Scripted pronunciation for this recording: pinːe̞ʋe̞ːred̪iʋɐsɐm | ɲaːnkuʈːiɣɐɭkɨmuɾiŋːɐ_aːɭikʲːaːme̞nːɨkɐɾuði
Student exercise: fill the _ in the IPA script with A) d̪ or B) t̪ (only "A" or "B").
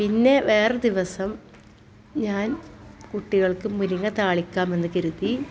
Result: B